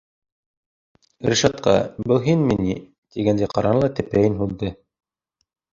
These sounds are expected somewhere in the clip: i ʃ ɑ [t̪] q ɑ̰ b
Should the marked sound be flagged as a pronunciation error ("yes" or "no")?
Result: no